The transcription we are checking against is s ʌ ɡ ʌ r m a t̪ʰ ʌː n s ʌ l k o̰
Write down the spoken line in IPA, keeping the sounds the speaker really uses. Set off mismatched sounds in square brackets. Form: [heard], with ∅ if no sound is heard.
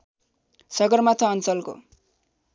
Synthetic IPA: s ʌ ɡ ʌ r m a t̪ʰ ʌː n [t͡s] ʌ l k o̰

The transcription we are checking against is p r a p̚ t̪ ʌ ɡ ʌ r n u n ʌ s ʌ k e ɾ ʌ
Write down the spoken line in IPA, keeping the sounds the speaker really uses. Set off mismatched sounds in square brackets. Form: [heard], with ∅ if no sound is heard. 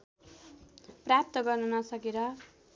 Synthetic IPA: p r a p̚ t̪ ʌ ɡ ʌ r n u n ʌ s ʌ k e ɾ ʌ

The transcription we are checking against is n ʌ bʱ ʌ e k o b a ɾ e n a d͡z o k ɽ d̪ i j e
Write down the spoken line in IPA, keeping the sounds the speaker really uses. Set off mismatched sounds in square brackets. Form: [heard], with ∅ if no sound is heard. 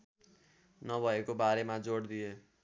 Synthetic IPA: n ʌ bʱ ʌ e k o b a ɾ e [m] a d͡z o [∅] ɽ d̪ i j e

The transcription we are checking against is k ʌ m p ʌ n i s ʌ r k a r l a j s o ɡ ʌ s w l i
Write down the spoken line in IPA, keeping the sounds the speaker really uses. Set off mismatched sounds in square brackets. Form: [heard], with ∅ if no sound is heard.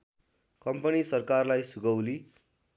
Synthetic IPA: k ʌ m p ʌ n i s ʌ r k a r l a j s [u] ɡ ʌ [∅] w l i

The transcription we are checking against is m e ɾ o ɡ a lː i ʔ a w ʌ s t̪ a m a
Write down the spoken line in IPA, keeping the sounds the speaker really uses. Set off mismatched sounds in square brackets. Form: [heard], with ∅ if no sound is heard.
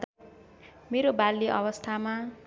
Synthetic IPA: m e ɾ o [b] a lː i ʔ [ʌ] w ʌ s [t̪ʰ] a m a

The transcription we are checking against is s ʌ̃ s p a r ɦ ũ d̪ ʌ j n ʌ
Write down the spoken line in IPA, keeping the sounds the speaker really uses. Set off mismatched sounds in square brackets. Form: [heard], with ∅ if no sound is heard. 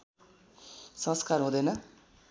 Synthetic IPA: s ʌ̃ s [k] a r ɦ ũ d̪ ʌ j n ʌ

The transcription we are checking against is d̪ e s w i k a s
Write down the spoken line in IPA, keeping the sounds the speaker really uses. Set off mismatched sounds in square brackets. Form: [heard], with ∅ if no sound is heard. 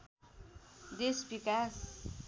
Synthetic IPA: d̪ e s [b] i k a s

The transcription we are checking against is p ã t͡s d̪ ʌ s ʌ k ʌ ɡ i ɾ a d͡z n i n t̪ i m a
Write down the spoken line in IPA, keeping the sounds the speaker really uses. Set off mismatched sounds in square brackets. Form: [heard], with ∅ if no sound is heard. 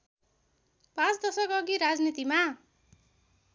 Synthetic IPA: p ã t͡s d̪ ʌ s ʌ k ʌ ɡ i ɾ a d͡z n i [∅] t̪ i m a

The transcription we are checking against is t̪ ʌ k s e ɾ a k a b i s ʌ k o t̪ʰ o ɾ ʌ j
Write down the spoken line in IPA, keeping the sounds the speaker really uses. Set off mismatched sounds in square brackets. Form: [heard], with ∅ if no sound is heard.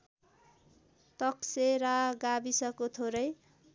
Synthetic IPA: t̪ ʌ k s e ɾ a [ɡ] a b i s ʌ k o t̪ʰ o ɾ ʌ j

